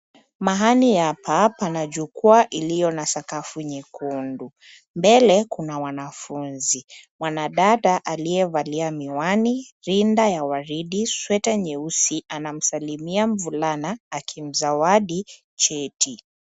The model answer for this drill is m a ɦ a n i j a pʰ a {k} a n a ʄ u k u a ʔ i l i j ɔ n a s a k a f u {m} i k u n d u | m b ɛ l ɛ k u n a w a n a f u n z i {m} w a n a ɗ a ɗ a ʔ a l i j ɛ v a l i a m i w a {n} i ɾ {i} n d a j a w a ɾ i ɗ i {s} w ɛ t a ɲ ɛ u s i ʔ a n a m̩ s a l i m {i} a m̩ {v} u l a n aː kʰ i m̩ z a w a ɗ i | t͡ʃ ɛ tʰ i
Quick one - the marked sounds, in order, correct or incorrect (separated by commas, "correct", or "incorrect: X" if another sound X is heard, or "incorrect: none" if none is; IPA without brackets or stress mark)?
incorrect: p, incorrect: ɲ, correct, correct, correct, correct, correct, correct